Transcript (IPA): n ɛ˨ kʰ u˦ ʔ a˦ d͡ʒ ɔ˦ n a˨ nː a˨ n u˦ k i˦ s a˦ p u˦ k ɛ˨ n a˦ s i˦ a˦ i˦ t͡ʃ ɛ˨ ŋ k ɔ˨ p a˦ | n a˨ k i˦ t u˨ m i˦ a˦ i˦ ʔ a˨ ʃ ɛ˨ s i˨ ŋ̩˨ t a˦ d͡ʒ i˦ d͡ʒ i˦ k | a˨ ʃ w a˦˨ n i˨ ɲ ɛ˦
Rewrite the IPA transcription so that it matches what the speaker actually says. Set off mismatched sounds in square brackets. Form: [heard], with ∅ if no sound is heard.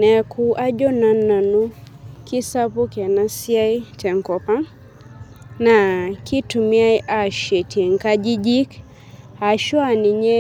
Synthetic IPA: n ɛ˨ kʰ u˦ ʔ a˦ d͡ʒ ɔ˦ n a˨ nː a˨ n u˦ k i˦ s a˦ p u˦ k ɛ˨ n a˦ s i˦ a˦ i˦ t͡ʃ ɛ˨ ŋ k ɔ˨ p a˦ | n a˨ k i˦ t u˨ m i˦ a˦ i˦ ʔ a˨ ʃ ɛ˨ [t] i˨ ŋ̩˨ [k] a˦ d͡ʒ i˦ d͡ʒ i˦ k | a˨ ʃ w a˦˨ n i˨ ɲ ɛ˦

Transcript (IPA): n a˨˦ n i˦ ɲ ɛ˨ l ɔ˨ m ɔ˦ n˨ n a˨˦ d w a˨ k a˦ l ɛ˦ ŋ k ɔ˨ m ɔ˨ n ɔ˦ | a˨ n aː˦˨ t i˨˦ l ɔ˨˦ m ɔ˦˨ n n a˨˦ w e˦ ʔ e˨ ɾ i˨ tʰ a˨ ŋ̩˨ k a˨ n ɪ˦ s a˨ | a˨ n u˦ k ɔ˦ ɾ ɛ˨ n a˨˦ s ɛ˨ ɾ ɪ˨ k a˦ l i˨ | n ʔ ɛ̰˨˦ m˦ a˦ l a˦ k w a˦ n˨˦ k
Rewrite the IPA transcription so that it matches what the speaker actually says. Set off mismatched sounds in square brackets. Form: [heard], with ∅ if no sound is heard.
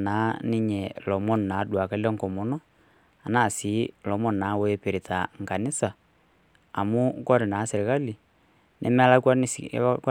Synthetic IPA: n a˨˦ n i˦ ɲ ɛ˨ l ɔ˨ m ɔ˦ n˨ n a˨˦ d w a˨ k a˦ l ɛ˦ ŋ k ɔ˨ m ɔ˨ n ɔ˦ | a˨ n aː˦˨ [s] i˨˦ l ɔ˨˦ m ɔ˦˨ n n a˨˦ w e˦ [p] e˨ ɾ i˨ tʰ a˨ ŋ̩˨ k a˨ n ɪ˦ s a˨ | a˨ [m] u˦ k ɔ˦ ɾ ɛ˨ n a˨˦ s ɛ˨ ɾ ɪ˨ k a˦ l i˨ | n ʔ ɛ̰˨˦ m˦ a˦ l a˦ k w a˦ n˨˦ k

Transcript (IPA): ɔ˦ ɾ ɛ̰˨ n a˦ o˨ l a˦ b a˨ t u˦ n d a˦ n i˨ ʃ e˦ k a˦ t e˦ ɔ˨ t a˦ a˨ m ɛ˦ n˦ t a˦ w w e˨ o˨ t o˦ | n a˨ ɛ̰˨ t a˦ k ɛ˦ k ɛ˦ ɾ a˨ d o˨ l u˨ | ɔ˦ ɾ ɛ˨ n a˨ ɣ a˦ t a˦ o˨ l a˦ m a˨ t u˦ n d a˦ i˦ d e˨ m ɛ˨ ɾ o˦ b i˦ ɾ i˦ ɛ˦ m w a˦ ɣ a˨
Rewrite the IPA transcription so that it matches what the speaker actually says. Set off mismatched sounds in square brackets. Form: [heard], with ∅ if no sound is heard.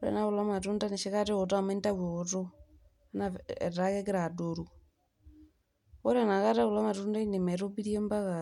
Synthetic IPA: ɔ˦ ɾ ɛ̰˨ n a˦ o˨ l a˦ [m] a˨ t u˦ n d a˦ n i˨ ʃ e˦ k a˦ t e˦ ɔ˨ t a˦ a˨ m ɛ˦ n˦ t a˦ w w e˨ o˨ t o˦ | n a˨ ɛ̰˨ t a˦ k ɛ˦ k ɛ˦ ɾ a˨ d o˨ [ɾ] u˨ | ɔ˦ ɾ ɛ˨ n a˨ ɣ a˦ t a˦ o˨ l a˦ m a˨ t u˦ n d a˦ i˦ [n] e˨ m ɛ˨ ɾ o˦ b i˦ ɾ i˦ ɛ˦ m [b] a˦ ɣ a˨

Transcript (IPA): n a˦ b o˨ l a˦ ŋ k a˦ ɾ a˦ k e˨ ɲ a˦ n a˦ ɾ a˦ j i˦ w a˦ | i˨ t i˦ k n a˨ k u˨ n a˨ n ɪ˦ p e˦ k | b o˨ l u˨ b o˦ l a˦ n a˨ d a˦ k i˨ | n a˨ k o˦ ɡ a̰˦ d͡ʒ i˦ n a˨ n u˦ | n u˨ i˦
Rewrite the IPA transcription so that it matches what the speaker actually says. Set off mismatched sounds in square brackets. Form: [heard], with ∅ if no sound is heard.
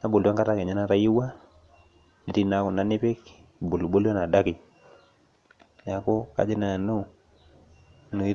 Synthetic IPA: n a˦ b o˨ l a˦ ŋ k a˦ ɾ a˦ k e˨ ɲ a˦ n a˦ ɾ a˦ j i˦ w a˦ | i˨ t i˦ [∅] n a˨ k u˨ n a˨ n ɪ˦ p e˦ k | b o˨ l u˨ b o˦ l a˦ n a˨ d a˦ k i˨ | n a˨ k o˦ [k] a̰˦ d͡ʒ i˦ n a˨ n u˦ | n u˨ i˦

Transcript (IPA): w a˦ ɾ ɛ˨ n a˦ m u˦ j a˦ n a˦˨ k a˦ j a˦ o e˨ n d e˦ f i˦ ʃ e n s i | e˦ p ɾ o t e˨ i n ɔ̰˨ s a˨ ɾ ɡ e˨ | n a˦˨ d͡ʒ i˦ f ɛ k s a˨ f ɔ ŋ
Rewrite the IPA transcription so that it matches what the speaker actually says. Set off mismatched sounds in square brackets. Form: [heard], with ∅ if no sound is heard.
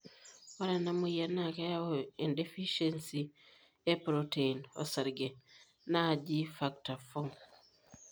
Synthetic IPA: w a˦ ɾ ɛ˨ n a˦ m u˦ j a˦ n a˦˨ k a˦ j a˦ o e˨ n d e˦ f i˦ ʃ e n s i | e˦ p ɾ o t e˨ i n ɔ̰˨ s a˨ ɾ ɡ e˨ | n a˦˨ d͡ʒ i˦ f [a] k [t] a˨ f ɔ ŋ

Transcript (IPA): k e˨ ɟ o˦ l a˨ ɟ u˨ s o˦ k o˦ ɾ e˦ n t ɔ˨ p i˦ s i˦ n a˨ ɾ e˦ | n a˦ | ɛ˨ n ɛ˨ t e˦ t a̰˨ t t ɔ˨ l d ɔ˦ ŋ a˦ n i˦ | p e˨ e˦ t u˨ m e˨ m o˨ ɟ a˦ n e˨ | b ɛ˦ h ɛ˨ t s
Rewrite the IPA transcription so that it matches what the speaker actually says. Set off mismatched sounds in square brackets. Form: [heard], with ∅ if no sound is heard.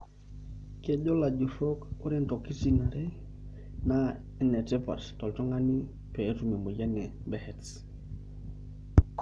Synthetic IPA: k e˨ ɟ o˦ l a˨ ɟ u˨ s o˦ k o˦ ɾ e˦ n t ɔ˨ [k] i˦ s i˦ n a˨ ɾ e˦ | n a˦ | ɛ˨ n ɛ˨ t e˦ [p] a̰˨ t t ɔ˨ l [t] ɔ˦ ŋ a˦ n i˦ | p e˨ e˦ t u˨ m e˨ m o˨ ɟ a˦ n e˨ | b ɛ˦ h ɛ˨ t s

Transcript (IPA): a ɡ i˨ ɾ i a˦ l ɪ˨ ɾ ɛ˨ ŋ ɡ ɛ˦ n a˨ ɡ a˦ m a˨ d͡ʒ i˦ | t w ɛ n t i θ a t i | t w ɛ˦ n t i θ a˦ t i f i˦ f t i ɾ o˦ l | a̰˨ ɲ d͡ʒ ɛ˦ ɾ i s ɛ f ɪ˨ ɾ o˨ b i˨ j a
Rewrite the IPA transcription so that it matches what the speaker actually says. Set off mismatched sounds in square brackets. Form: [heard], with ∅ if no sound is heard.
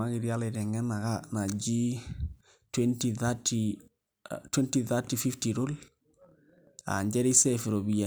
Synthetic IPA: a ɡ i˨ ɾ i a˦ l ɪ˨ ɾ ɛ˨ ŋ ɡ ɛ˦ n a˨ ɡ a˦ [n] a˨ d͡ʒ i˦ | t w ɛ n t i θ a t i | t w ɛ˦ n t i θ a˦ t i f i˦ f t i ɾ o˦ l | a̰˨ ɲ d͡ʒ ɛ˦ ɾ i s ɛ f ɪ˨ ɾ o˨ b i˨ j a

